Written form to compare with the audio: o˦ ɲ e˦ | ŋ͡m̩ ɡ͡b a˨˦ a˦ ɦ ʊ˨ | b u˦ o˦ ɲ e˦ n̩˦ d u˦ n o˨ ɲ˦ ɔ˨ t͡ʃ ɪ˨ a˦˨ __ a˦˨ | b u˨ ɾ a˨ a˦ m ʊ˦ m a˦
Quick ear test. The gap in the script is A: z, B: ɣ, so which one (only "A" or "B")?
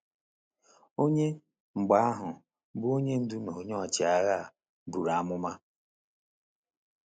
B